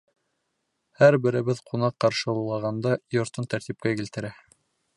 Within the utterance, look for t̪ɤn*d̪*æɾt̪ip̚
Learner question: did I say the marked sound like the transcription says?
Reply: no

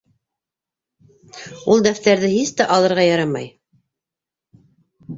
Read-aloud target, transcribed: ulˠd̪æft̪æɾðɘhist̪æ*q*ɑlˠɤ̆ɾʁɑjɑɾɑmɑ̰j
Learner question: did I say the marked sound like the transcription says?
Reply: no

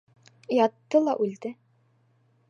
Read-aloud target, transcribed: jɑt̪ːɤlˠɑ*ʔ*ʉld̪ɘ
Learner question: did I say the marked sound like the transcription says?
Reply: yes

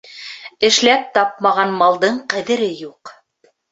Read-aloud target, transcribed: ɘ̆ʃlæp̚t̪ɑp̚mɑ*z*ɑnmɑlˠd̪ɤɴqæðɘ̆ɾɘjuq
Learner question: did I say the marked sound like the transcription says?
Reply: no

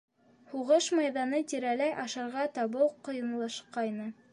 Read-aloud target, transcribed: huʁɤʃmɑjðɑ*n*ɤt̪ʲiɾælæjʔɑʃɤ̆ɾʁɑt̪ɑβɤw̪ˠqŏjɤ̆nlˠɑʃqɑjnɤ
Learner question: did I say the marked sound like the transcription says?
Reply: yes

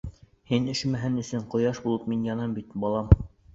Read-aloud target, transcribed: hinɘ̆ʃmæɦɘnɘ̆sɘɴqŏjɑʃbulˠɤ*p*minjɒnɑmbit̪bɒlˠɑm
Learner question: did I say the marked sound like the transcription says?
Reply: yes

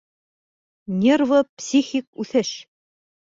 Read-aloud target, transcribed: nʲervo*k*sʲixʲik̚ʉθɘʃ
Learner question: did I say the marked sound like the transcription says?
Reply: no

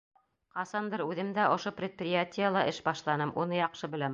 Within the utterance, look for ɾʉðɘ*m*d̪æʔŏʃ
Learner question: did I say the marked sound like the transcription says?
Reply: yes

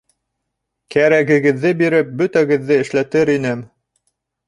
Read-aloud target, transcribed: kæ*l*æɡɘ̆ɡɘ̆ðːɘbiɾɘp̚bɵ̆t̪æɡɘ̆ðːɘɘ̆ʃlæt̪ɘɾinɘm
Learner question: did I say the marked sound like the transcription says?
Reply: no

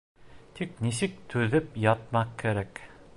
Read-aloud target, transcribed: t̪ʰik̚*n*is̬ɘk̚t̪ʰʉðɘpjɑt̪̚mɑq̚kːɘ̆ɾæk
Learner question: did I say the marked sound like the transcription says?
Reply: yes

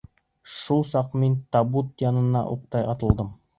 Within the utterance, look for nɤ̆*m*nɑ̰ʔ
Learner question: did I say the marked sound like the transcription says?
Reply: no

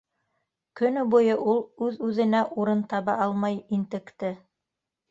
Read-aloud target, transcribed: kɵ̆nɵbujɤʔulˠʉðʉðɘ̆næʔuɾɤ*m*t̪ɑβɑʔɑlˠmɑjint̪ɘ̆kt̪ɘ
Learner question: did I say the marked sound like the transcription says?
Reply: no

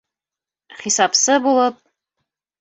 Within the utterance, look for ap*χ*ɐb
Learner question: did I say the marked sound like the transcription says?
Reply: no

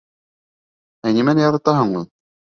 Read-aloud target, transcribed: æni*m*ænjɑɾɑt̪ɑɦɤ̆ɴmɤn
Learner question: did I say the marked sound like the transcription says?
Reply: yes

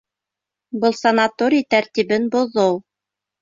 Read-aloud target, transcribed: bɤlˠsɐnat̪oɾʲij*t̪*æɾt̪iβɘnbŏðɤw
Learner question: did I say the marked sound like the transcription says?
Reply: yes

